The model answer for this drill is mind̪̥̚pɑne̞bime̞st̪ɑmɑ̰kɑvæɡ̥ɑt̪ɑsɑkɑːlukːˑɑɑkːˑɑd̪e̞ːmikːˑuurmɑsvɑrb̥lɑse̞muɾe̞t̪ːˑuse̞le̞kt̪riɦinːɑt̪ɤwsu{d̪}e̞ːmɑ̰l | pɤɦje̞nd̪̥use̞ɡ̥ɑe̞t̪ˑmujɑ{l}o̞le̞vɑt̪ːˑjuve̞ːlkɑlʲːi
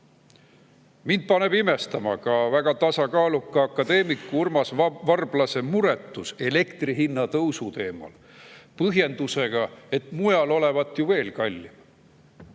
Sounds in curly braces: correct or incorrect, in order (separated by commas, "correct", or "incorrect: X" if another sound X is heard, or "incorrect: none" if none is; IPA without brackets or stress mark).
incorrect: t̪, correct